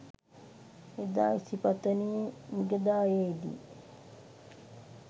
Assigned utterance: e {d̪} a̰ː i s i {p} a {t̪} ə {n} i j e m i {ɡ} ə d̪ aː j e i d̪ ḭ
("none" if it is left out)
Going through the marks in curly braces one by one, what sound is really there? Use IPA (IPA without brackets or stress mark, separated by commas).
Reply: d̪, p, t̪, n, ɡ